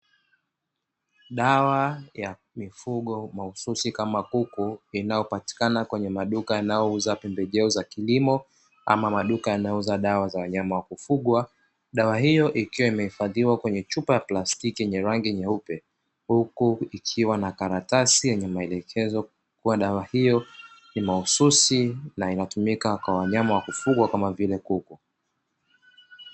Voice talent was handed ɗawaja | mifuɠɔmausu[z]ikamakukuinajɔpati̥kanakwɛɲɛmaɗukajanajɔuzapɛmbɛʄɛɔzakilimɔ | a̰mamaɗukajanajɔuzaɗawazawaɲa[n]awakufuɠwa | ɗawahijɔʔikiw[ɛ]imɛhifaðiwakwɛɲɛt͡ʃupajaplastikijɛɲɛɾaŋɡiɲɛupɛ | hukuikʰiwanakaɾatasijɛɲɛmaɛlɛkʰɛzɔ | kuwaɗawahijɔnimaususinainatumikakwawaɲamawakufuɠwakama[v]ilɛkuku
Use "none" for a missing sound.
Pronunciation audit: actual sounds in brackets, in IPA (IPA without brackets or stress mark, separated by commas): s, m, a, v